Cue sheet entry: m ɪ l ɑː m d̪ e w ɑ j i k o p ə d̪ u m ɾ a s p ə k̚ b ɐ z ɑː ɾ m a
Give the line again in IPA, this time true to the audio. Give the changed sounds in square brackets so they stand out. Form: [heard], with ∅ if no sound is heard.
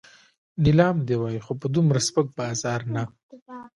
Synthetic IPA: [n] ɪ l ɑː m d̪ e w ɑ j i [x] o p ə d̪ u m ɾ a s p ə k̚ b [ɑ] z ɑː ɾ [n] a